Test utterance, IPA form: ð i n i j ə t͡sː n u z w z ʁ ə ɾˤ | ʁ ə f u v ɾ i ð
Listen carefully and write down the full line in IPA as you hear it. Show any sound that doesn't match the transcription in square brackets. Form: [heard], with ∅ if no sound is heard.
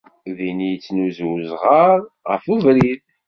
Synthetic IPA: ð i n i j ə t͡sː n u z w z ʁ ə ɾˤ | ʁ ə f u v ɾ i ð